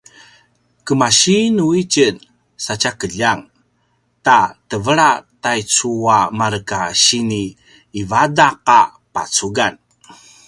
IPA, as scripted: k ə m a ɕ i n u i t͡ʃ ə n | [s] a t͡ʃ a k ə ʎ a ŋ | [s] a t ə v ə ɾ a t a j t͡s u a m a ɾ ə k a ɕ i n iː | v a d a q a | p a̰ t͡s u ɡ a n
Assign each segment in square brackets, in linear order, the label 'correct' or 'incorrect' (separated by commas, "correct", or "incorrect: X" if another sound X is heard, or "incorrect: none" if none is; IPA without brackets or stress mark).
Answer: correct, incorrect: t